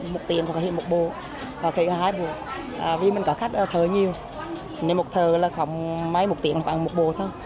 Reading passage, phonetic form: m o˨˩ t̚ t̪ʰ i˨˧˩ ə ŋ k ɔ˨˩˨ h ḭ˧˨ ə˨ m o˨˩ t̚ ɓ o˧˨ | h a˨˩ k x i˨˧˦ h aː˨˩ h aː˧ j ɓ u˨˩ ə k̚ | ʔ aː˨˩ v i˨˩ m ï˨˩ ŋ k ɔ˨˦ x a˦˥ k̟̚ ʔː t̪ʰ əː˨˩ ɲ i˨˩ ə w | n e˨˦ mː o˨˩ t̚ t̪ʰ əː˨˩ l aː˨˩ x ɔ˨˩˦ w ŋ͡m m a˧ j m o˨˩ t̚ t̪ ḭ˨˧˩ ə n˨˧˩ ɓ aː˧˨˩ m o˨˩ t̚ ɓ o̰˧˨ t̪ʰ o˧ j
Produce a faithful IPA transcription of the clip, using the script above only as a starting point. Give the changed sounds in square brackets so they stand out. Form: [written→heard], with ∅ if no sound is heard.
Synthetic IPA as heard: m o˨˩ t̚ [t̪ʰ→t̪] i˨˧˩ ə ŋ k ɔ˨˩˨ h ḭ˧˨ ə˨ m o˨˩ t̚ ɓ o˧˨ | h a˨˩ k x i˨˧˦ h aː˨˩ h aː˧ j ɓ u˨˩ ə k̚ | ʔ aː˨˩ v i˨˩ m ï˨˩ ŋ k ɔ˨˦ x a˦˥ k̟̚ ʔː t̪ʰ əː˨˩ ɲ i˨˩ ə w | n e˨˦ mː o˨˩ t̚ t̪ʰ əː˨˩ l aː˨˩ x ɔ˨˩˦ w ŋ͡m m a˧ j m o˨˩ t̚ t̪ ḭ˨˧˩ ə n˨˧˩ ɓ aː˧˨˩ m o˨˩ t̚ ɓ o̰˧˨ t̪ʰ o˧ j